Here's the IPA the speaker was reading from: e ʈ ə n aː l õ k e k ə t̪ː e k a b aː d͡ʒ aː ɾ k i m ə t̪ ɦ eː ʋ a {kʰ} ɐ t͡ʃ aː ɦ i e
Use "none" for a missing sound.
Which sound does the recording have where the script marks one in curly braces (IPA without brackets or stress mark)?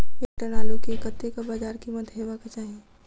k